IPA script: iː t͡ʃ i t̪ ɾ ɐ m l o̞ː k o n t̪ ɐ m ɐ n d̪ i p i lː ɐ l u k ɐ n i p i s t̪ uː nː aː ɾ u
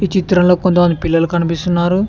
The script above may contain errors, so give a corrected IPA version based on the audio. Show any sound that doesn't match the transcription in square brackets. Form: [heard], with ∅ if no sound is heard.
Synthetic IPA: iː t͡ʃ i t̪ ɾ ɐ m l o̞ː k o n t̪ ɐ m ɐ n d̪ i p i lː ɐ l u k ɐ n i p i s t̪ [u] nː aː ɾ u